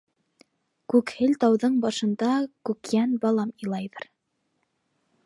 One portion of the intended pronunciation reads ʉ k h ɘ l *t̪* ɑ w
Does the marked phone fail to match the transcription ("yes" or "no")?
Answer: no